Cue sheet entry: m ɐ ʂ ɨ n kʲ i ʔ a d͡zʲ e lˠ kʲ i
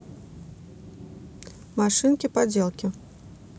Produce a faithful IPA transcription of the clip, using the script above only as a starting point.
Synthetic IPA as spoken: m a ʂ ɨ n kʲ i p a d͡zʲ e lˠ kʲ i